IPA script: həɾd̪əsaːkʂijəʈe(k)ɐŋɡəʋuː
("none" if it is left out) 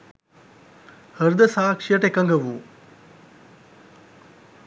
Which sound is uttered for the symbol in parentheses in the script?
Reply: k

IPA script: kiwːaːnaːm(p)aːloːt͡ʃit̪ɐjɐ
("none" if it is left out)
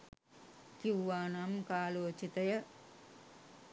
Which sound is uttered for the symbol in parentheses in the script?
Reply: k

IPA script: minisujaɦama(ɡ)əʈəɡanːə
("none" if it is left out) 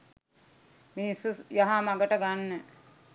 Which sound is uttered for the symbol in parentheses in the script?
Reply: ɡ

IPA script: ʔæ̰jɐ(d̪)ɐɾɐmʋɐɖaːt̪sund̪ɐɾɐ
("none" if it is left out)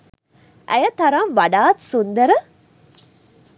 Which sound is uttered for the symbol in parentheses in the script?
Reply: t̪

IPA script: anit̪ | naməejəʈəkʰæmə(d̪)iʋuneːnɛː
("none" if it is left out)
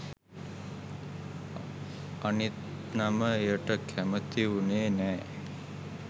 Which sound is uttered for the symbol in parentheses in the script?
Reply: t̪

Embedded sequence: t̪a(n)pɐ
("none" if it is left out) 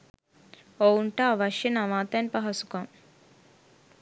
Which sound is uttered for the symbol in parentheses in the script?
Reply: n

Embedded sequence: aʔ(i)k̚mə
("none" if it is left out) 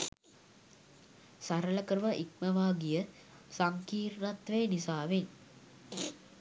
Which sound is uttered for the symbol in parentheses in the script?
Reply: i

